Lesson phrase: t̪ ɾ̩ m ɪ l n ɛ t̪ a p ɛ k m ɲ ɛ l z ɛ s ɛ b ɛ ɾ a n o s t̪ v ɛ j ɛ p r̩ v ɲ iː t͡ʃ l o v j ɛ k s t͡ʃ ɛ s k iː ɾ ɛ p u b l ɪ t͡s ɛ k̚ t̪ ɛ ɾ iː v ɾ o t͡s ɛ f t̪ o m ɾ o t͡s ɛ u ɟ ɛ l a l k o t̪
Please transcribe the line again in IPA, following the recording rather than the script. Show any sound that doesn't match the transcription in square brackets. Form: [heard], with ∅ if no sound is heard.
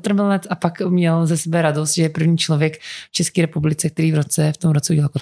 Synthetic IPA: t̪ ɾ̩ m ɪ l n ɛ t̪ a p [a] k m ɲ ɛ l z ɛ s ɛ b ɛ ɾ a [d] o s t̪ [ʒ] ɛ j ɛ p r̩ v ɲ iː t͡ʃ l o v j ɛ k [f] t͡ʃ ɛ s k iː ɾ ɛ p u b l ɪ t͡s ɛ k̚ t̪ ɛ ɾ iː v ɾ o t͡s ɛ f t̪ o m ɾ o t͡s ɛ u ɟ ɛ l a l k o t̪